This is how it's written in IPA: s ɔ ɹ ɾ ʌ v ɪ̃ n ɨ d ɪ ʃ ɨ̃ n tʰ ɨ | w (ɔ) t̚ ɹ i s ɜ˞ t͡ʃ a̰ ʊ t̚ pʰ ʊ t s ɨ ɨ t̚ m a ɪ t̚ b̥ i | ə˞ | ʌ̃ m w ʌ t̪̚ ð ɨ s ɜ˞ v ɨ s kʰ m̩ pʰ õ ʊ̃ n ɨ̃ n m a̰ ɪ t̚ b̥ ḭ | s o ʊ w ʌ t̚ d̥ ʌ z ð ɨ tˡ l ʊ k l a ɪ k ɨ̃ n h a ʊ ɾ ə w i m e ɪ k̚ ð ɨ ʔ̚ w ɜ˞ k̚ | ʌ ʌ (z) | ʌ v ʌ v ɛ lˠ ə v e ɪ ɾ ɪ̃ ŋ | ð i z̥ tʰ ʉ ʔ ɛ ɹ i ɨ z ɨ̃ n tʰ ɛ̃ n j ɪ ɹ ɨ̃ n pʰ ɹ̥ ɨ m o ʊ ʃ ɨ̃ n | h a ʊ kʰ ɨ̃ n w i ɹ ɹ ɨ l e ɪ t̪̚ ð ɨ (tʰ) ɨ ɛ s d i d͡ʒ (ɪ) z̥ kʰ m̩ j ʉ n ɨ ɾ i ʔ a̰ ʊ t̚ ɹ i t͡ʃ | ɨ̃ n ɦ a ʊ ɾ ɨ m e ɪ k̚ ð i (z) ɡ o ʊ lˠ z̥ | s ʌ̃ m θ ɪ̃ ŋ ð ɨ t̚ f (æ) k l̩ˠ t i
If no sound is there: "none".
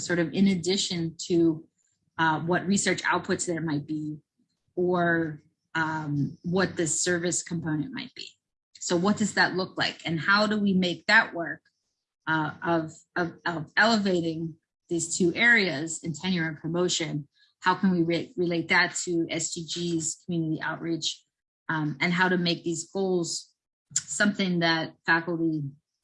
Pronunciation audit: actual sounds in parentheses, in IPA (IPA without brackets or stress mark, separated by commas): ʌ, v, tʰ, i, z, æ